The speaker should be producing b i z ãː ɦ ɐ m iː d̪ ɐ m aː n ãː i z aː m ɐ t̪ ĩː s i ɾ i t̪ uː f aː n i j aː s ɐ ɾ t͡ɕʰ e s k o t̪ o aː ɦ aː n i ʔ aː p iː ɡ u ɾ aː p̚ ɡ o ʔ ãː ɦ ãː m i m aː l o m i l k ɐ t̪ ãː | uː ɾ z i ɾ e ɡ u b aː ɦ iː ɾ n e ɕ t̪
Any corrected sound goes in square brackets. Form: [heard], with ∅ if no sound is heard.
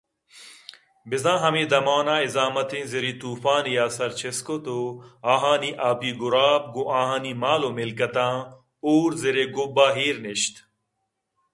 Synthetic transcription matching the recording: b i z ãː ɦ ɐ m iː d̪ ɐ m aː n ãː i z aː m ɐ t̪ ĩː [z] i ɾ i t̪ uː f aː n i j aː s ɐ ɾ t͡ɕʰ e s k o t̪ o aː ɦ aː n i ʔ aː p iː ɡ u ɾ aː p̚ ɡ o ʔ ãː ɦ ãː [n] i m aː l o m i l k ɐ t̪ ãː | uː ɾ z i ɾ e ɡ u b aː ɦ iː ɾ n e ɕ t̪